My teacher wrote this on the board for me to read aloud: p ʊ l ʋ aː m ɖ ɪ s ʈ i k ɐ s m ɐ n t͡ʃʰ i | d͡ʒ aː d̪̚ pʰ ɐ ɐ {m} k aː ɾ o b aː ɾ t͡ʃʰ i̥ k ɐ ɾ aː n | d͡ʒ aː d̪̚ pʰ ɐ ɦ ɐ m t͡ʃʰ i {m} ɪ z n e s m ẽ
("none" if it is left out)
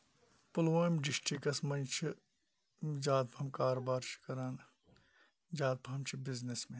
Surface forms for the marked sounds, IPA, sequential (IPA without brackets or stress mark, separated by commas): m, b